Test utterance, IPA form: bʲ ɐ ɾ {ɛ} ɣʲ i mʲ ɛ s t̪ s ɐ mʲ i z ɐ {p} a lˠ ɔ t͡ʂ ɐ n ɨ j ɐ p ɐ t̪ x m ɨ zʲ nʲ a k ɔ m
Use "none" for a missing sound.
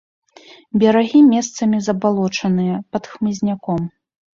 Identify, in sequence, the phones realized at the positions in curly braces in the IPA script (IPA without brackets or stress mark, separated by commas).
a, b